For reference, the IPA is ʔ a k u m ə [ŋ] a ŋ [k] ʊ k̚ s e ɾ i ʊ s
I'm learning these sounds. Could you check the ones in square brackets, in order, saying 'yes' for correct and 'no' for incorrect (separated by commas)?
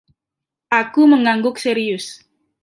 yes, no